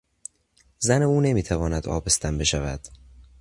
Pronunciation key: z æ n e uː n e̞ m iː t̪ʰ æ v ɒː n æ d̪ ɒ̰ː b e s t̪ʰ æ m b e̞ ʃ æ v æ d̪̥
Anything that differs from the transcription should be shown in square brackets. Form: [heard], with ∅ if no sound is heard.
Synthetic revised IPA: z æ n e uː n e̞ m iː t̪ʰ æ v ɒː n æ d̪ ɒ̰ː b e s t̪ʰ æ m b e̞ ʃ æ v æ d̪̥